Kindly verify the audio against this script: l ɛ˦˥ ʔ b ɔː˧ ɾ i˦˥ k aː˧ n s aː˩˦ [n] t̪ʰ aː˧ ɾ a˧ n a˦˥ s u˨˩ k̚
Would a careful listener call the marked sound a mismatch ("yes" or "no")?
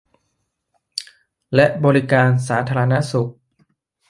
yes